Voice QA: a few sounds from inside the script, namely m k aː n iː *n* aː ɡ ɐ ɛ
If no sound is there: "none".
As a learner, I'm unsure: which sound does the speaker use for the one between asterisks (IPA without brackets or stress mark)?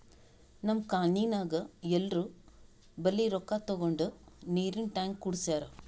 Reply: n